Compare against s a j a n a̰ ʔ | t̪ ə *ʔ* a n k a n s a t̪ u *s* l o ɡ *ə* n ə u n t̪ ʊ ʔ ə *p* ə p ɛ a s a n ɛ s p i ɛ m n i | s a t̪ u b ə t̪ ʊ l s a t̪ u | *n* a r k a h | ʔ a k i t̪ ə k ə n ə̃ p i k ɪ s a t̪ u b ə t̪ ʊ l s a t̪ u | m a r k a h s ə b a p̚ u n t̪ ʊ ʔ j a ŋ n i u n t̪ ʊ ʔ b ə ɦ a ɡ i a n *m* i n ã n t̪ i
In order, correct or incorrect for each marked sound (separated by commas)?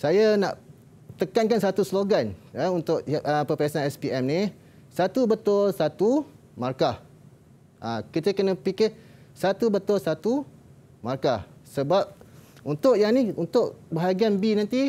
incorrect, correct, incorrect, correct, incorrect, incorrect